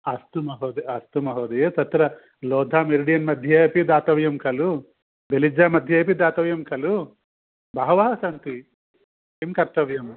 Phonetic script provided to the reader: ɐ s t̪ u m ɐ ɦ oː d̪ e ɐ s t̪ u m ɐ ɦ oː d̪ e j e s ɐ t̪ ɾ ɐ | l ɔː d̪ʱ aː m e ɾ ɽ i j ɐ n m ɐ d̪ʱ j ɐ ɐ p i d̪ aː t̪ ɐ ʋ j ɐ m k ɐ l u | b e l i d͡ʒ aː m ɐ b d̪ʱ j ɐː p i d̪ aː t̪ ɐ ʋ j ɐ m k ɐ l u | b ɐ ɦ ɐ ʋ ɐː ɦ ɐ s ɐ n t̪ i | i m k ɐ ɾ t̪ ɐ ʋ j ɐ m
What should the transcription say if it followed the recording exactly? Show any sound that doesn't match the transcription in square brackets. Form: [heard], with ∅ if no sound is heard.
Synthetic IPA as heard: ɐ s t̪ u m ɐ ɦ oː d̪ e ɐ s t̪ u m ɐ ɦ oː d̪ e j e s ɐ t̪ ɾ ɐ | l ɔː d̪ʱ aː m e ɾ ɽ i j ɐ n m ɐ d̪ʱ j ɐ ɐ p i d̪ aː t̪ ɐ ʋ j ɐ m k ɐ l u | b e l i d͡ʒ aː m ɐ [∅] d̪ʱ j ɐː p i d̪ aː t̪ ɐ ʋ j ɐ m k ɐ l u | b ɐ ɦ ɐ ʋ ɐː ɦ ɐ s ɐ n t̪ i | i m k ɐ ɾ t̪ ɐ ʋ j ɐ m